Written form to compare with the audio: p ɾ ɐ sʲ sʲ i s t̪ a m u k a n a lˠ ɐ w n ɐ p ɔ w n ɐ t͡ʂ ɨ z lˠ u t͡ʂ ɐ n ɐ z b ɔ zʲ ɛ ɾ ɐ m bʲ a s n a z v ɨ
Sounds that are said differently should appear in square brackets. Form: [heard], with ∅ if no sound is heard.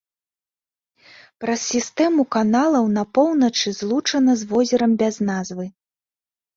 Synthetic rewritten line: p ɾ ɐ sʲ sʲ i s t̪ [ɛ] m u k a n a lˠ ɐ w n ɐ p ɔ w n ɐ t͡ʂ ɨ z lˠ u t͡ʂ ɐ n ɐ z [v] ɔ zʲ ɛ ɾ ɐ m bʲ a [z] n a z v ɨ